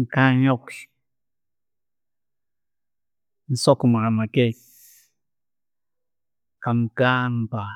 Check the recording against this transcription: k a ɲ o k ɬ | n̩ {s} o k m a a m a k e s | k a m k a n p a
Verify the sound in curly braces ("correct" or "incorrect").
correct